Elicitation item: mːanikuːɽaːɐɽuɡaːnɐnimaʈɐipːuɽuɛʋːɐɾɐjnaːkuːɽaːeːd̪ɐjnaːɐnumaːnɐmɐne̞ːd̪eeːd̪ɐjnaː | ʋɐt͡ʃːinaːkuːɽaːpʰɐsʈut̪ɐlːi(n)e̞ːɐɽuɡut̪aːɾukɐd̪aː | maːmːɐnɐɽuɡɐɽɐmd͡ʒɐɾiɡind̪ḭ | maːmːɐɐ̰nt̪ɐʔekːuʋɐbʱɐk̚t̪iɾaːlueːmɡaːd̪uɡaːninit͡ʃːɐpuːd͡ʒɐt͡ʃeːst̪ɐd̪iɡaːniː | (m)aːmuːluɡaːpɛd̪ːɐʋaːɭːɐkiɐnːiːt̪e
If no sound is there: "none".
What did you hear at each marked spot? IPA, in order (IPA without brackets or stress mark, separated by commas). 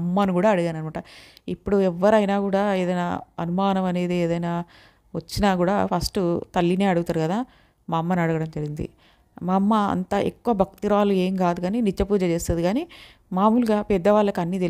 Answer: n, m